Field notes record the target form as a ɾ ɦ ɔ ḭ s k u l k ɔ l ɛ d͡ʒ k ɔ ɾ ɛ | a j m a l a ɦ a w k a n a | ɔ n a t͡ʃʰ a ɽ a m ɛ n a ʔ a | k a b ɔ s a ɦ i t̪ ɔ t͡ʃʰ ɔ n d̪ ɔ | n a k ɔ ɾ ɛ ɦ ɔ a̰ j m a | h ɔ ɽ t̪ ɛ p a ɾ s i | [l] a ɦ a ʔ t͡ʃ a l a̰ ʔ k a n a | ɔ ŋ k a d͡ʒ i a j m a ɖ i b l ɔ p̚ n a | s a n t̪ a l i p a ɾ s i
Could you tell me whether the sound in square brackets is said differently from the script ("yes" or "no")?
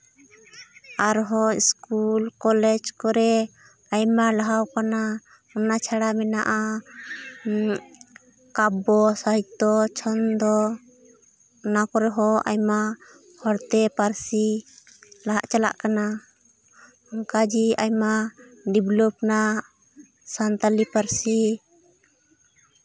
no